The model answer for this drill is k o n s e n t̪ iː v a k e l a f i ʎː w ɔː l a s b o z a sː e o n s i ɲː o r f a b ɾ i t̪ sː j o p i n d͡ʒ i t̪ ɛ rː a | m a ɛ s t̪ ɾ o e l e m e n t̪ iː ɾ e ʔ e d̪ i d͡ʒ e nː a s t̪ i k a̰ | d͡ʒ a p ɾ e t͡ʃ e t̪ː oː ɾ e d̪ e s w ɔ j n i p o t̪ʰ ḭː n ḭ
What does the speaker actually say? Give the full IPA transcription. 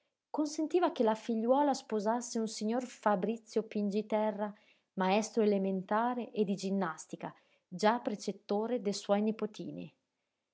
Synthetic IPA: k o n s e n t̪ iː v a k e l a f i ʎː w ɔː l a s p o z a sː e u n s i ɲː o r f a b ɾ i t̪ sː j o p i n d͡ʒ i t̪ ɛ rː a | m a ɛ s t̪ ɾ o e l e m e n t̪ aː ɾ e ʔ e d̪ i d͡ʒ i nː a s t̪ i k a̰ | d͡ʒ a p ɾ e t͡ʃ e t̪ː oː ɾ e d̪ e s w ɔ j n i p o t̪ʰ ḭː n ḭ

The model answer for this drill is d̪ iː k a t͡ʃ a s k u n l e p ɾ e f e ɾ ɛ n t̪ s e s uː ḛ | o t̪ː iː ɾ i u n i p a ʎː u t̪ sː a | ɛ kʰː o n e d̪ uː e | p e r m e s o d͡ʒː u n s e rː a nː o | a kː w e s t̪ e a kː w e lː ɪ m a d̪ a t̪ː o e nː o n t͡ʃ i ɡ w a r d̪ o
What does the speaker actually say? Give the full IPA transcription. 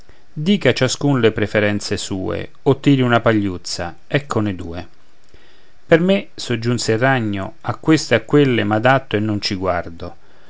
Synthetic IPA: d̪ iː k a t͡ʃ a s k u n l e p ɾ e f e ɾ ɛ n t̪ s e s uː ḛ | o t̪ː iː ɾ i u n a p a ʎː u t̪ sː a | ɛ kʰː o n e d̪ uː e | p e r m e s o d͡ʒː u n s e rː a ɲː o | a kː w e s t̪ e a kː w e lː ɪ m a d̪ a t̪ː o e nː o n t͡ʃ i ɡ w a r d̪ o

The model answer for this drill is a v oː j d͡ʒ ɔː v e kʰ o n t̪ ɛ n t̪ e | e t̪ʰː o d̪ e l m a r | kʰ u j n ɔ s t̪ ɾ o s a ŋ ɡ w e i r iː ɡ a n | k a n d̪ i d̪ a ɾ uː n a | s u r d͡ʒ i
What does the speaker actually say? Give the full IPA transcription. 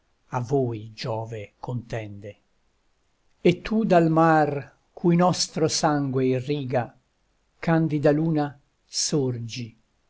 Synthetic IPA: a v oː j d͡ʒ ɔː v e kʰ o n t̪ ɛ n d̪ e | e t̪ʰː u d̪ a l m a r | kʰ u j n ɔ s t̪ ɾ o s a ŋ ɡ w e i r iː ɡ a | k a n d̪ i d̪ a l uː n a | s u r d͡ʒ i

